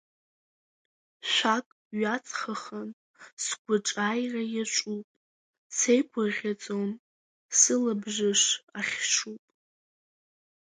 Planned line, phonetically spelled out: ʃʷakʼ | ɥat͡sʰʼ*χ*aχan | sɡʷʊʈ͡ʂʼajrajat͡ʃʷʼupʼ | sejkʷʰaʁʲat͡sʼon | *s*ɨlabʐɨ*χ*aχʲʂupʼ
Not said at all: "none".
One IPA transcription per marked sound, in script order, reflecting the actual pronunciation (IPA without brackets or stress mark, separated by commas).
χ, s, ʂ